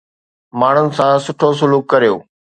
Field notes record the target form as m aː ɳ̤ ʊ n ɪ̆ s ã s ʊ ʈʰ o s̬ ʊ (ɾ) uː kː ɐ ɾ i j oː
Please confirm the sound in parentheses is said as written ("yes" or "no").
no